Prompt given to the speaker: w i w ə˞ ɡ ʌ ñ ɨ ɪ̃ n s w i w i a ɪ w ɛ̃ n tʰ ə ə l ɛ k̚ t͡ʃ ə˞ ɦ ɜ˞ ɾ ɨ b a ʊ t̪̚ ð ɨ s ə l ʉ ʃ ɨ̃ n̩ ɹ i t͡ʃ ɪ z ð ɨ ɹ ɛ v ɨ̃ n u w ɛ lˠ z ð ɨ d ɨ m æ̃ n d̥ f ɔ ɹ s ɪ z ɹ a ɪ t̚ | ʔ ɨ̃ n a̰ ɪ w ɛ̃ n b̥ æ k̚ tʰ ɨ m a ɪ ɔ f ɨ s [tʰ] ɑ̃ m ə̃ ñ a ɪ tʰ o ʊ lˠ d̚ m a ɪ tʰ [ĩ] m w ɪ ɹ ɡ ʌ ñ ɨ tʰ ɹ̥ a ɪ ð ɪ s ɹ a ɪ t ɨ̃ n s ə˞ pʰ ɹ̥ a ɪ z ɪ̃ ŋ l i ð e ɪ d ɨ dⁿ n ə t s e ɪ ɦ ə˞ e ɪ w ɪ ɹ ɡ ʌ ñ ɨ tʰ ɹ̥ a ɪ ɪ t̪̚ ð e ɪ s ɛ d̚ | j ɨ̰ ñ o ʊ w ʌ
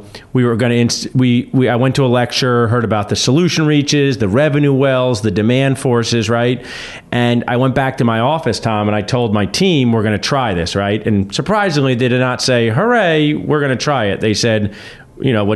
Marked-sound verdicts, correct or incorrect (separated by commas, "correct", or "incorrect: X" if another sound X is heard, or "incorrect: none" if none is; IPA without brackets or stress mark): correct, correct